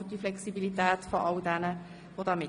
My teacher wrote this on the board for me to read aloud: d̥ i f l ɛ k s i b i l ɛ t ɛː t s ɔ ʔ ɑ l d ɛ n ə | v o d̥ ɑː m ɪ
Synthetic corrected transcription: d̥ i f l ɛ k s i b i l i t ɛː t f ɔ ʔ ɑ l d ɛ n ə | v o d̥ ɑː m ɪ